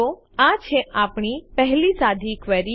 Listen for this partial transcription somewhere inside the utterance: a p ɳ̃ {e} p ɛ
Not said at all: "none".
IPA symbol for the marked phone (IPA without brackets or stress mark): i